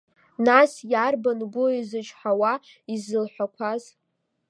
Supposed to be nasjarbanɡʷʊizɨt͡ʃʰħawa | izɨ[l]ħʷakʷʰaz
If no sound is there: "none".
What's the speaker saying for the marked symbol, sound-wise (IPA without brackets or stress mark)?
l